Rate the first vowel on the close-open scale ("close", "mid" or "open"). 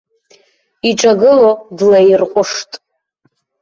close